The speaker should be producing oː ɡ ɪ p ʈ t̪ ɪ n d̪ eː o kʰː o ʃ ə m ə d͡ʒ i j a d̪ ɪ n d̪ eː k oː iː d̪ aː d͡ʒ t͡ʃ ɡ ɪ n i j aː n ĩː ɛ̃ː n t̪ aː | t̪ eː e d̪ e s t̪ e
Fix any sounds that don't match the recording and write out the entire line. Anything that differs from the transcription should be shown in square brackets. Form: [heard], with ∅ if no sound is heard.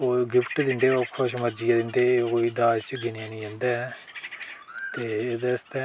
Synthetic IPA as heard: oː ɡ ɪ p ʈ [d̪] ɪ n d̪ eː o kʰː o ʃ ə m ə d͡ʒ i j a d̪ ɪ n d̪ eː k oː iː d̪ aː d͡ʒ t͡ʃ ɡ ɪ n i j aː n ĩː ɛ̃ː n [d̪] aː | t̪ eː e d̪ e s t̪ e